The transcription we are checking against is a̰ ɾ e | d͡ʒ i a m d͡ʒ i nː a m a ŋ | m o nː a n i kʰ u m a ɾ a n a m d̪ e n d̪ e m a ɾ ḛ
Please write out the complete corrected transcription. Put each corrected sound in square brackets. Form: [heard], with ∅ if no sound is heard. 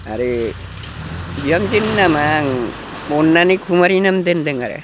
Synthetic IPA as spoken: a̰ ɾ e | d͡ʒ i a m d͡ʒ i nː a m a ŋ | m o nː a n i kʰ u m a ɾ [i] n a m d̪ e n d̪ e [ŋ] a ɾ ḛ